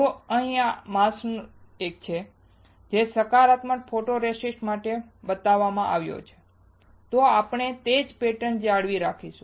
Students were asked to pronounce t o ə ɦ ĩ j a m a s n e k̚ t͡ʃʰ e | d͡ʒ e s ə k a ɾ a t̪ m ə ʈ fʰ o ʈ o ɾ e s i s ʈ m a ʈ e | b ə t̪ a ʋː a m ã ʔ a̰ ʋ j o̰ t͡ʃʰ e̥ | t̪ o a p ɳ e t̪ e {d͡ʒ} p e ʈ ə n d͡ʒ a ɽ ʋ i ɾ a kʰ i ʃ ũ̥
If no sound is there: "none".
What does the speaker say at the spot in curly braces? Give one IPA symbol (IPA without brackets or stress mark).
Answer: d͡ʒ